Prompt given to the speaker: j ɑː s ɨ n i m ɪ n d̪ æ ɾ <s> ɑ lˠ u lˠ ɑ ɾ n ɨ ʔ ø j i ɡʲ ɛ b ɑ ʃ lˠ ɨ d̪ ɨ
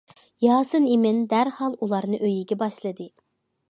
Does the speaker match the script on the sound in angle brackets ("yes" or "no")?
no